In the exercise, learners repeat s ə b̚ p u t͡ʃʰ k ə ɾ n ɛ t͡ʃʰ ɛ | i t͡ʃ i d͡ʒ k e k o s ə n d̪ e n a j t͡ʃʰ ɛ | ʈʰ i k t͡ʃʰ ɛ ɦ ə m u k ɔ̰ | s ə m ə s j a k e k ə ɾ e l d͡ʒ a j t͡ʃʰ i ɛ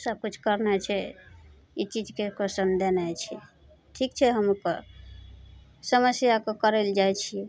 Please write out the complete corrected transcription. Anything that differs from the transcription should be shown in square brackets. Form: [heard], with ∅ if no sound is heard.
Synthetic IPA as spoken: s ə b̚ [k] u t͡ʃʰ k ə ɾ n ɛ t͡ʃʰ ɛ | i t͡ʃ i d͡ʒ k e k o s ə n d̪ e n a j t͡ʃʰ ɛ | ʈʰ i k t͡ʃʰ ɛ ɦ ə m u k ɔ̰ | s ə m ə s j a k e k ə ɾ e l d͡ʒ a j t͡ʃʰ i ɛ